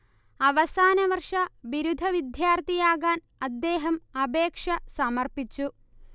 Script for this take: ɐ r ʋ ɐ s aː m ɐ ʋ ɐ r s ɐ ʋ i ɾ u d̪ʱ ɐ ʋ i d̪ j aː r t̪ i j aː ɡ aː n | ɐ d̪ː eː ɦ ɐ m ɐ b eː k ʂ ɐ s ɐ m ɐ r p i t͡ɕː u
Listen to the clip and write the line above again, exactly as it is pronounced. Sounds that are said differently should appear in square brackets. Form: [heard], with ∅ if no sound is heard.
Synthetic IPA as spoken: ɐ [∅] ʋ ɐ s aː [n] ɐ ʋ ɐ r [ʂ] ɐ ʋ i ɾ u d̪ʱ ɐ ʋ i d̪ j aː r t̪ i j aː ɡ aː n | ɐ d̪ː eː ɦ ɐ m ɐ b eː k ʂ ɐ s ɐ m ɐ r p i t͡ɕː u